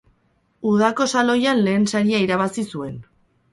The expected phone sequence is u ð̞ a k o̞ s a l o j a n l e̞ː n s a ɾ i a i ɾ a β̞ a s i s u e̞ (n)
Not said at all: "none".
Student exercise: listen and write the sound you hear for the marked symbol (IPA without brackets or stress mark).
n